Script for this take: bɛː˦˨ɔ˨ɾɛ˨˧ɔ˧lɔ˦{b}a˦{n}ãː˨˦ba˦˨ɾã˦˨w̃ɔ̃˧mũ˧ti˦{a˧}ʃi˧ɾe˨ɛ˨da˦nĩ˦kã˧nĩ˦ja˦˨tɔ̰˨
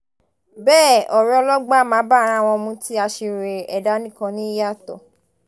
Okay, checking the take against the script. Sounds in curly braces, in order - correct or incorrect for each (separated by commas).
incorrect, incorrect, correct